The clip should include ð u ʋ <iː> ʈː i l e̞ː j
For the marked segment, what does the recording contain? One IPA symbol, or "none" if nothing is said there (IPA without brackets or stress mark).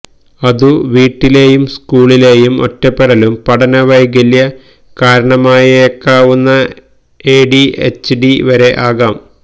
iː